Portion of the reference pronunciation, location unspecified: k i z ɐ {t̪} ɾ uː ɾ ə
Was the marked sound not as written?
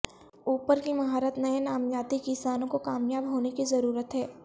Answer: yes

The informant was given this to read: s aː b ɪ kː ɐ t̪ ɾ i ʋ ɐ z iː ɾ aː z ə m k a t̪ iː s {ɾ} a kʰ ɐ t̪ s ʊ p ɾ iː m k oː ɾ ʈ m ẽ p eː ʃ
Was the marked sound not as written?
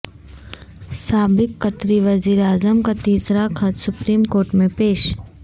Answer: no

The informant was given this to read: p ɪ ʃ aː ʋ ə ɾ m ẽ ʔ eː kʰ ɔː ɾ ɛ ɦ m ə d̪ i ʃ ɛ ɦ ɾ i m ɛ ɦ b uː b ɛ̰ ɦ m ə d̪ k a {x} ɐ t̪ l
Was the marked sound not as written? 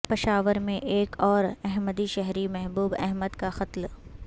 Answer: no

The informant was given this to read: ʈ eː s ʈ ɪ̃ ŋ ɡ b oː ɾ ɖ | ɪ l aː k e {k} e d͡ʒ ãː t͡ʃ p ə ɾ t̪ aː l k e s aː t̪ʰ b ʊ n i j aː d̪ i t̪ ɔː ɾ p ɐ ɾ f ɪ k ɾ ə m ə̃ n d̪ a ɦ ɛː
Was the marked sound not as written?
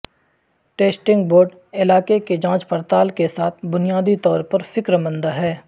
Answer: no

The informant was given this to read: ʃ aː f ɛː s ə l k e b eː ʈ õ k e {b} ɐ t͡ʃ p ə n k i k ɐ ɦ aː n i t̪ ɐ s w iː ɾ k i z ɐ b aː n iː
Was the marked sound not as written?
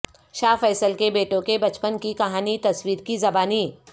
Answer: no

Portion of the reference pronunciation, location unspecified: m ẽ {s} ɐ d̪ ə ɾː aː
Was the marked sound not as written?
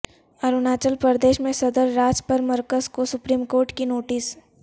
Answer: no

